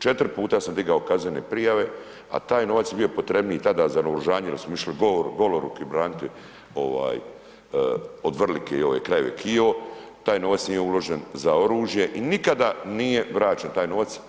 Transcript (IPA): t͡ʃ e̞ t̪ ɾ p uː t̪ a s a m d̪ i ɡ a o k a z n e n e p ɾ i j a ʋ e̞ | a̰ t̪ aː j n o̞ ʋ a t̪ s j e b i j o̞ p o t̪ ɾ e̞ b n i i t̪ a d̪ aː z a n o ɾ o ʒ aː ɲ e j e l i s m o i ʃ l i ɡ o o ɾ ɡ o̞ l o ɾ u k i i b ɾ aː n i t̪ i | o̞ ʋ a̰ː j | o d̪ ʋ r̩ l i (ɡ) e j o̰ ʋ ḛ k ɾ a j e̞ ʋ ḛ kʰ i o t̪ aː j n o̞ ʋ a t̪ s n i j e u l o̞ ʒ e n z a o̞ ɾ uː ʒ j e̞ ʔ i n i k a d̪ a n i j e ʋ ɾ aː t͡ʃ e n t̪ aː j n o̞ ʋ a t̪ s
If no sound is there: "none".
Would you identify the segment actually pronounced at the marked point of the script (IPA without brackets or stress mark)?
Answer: k